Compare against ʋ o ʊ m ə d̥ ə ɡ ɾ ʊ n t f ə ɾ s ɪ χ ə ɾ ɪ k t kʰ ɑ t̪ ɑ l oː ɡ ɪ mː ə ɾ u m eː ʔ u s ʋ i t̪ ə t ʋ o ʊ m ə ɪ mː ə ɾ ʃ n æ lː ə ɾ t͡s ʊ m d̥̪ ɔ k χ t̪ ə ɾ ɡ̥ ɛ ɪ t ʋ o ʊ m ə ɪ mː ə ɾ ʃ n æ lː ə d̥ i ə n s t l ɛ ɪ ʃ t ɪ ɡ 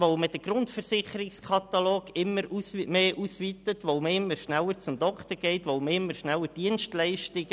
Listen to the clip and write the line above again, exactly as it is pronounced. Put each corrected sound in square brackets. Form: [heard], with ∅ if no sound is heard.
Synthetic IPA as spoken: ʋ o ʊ m ə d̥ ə ɡ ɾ ʊ n t f ə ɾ s ɪ χ ə ɾ ɪ k [s] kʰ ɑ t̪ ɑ l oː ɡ ɪ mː ə ɾ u m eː ʔ u s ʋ i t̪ ə t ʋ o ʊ m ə ɪ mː ə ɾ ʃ n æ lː ə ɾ t͡s ʊ m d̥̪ ɔ k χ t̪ ə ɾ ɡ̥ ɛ ɪ t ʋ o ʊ m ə ɪ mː ə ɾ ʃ n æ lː ə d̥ i ə n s t l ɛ ɪ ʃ t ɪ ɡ